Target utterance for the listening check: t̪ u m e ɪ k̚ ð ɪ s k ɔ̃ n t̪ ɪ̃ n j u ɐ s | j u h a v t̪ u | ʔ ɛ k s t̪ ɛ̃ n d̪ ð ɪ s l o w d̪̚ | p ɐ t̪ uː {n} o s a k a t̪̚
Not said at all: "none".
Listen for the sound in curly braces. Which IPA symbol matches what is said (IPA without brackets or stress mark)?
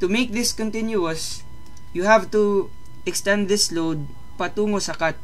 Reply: ŋ